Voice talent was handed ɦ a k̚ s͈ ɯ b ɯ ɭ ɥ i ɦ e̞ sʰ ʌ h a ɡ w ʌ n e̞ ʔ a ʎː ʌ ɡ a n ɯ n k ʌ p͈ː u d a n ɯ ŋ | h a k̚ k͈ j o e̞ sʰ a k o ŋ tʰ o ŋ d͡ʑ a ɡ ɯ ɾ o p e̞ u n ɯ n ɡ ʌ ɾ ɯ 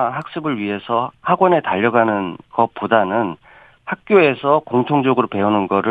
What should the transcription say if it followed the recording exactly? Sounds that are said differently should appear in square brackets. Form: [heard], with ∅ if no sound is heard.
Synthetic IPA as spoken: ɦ a k̚ s͈ ɯ b ɯ ɭ ɥ i ɦ e̞ sʰ ʌ h a ɡ w ʌ n e̞ [t] a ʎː ʌ ɡ a n ɯ n k ʌ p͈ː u d a n ɯ [n] | h a k̚ k͈ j o e̞ sʰ [ʌ] k o ŋ tʰ o ŋ d͡ʑ [ʌ] ɡ ɯ ɾ o p e̞ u n ɯ n ɡ ʌ ɾ ɯ